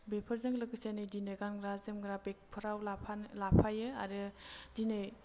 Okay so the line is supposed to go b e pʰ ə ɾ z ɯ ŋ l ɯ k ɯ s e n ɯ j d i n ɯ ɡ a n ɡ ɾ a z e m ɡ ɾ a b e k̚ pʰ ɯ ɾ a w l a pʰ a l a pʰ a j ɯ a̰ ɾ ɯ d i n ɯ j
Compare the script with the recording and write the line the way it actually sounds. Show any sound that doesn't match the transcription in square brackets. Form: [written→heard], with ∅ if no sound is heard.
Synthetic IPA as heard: b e pʰ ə ɾ z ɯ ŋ l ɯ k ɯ s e n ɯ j d i n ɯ ɡ a n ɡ ɾ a z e m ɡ ɾ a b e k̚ pʰ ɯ ɾ a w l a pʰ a l a pʰ a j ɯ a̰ ɾ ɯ d i n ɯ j